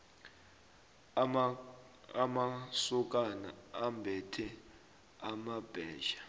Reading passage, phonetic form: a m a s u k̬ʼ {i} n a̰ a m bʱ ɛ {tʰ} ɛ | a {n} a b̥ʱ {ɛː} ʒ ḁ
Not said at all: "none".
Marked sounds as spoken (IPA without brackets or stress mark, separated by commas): a, tʰ, m, ɛː